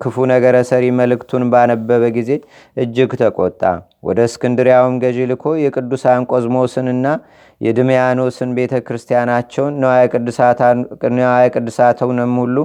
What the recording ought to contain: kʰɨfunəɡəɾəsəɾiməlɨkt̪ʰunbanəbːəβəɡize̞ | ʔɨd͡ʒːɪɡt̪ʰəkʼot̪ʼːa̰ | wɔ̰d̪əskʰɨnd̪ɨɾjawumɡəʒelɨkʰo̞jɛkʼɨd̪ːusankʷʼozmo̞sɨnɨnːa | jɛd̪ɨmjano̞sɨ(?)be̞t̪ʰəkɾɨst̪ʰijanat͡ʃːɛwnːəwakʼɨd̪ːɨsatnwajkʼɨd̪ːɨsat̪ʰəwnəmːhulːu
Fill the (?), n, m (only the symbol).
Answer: n